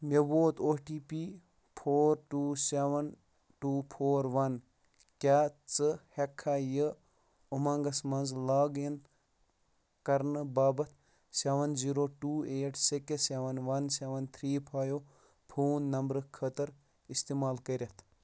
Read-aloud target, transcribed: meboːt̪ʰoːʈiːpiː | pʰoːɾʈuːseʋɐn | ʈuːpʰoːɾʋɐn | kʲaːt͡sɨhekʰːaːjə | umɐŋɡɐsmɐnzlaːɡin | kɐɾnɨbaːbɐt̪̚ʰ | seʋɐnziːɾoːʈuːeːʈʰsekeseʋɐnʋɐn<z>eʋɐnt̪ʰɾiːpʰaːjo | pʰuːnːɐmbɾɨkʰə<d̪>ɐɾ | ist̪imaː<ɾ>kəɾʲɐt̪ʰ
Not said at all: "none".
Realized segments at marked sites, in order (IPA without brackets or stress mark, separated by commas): s, t̪, l